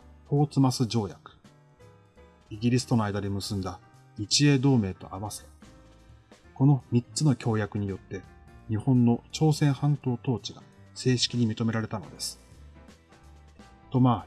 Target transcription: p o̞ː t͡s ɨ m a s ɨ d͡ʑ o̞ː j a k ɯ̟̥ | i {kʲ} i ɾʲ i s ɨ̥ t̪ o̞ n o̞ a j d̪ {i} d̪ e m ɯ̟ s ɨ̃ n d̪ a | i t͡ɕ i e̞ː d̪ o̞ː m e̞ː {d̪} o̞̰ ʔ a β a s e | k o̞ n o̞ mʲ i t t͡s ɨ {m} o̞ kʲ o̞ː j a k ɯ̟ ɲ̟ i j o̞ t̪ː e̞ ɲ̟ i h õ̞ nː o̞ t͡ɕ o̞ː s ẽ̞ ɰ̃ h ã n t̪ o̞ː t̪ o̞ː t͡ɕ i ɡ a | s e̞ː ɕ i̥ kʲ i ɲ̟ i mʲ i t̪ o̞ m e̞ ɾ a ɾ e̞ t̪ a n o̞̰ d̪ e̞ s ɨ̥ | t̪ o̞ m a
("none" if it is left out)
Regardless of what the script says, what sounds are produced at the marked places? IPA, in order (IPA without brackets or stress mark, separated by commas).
ɡʲ, a, t̪, n